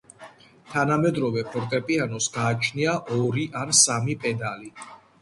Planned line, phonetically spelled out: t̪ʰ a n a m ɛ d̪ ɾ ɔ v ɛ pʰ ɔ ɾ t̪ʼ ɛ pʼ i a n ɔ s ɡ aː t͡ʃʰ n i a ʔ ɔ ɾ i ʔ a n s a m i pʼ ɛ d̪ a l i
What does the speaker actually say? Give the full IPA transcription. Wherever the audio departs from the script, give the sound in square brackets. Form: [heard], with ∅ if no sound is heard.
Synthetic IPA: t̪ʰ a n a m ɛ d̪ ɾ ɔ v ɛ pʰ ɔ ɾ t̪ʼ ɛ pʼ i a n ɔ s ɡ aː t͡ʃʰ n i a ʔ ɔ ɾ i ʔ a n s a m i pʼ ɛ d̪ a l i